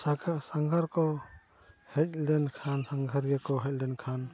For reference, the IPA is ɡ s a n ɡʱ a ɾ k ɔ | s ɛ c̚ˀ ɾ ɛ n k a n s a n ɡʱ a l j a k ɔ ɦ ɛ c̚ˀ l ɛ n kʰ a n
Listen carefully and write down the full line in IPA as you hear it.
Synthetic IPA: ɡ s a ŋ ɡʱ a ɾ k ɔ | h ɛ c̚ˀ l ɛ n kʰ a n s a ŋ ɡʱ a ɾ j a k ɔ ɦ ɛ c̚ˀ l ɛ n kʰ a n